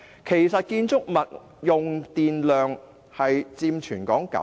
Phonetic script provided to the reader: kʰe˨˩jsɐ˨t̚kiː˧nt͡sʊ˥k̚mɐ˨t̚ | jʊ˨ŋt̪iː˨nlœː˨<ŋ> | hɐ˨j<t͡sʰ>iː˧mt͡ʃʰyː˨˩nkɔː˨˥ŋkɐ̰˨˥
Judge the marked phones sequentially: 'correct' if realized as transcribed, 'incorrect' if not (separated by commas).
correct, incorrect